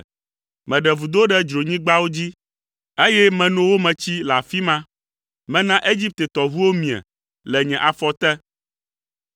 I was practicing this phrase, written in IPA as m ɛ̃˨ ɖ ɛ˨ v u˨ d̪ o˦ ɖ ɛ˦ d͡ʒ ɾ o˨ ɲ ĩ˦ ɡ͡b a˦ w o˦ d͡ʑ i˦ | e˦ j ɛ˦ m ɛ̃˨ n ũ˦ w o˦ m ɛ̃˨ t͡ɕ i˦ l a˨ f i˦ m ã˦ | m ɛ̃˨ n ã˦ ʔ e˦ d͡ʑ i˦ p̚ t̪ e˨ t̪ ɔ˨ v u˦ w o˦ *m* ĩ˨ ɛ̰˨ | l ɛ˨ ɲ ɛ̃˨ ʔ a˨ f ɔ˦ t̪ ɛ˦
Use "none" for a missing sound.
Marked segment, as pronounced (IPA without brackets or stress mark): m